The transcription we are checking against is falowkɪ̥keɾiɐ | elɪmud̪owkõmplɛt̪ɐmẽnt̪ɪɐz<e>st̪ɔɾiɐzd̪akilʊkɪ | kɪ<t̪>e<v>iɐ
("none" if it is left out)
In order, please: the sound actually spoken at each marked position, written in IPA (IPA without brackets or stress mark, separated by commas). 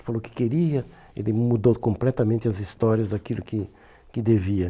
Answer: i, d̪, v